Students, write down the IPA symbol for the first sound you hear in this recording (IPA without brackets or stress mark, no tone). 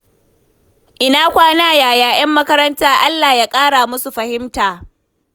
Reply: ʔ